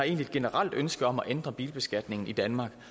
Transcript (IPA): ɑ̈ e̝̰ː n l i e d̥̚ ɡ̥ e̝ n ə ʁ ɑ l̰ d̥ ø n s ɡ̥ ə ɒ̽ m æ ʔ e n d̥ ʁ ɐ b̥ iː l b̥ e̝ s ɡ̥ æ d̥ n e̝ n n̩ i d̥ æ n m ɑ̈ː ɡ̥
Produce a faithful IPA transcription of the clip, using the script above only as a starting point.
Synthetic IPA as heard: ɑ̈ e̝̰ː n l i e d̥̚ ɡ̥ e̝ n ə ʁ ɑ l̰ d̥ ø n s ɡ̥ ə ɒ̽ m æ ʔ e n d̥ ʁ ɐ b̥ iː l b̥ e̝ s ɡ̥ æ d̥ n e̝ ŋ n̩ i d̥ æ n m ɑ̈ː ɡ̥